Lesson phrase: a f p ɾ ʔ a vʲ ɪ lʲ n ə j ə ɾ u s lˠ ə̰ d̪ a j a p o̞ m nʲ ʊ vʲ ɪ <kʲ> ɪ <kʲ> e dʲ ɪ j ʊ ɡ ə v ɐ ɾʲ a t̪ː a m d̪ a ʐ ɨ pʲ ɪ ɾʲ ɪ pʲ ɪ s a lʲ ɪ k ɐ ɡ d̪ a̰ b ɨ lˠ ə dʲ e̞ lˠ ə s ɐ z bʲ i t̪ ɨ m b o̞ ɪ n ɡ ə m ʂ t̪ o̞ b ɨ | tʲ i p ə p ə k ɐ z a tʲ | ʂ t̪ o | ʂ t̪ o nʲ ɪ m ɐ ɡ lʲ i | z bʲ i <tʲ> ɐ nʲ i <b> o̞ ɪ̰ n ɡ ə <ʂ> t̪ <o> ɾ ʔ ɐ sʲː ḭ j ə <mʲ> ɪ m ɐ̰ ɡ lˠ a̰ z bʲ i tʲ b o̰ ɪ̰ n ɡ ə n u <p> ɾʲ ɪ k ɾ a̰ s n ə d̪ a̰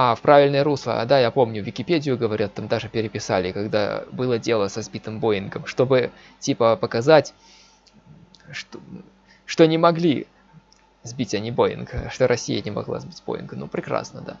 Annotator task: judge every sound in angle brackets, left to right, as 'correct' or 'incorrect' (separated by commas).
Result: correct, incorrect, correct, correct, correct, correct, incorrect, correct